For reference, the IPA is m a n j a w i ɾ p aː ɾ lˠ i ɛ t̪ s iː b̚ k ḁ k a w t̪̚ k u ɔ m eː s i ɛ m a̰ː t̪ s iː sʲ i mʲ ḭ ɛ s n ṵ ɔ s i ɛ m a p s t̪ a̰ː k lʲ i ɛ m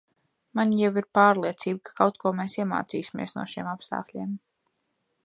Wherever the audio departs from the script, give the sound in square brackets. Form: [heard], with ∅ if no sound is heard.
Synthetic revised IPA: m a n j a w i ɾ p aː ɾ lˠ i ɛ t̪ s iː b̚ k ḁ k a w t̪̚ k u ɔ m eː s i ɛ m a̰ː t̪ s iː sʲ i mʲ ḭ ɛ s n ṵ ɔ [ʃ] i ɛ m a p s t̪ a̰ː k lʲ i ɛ m